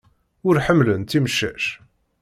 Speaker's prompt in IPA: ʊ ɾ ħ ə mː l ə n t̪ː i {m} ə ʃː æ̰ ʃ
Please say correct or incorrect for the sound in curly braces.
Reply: correct